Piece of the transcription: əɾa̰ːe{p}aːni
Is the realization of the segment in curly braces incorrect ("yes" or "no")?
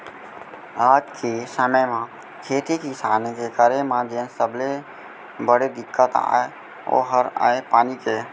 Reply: no